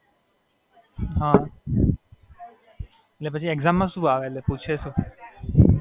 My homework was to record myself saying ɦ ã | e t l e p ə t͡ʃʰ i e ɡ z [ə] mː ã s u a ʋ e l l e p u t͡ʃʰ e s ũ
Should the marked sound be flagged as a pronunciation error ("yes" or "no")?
yes